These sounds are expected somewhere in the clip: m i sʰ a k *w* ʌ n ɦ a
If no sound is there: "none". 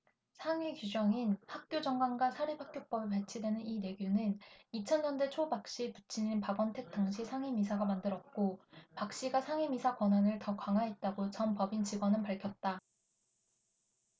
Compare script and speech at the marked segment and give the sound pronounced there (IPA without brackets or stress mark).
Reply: w